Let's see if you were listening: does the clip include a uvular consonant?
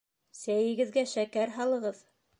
yes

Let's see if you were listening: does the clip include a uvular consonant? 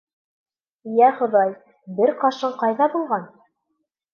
yes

